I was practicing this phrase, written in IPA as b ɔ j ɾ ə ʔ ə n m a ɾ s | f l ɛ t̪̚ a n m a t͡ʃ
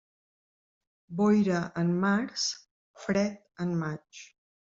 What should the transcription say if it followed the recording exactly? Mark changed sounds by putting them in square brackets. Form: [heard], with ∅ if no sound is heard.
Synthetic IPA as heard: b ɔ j ɾ ə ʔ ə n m a ɾ s | f [ɾ] ɛ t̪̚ [ə] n m a t͡ʃ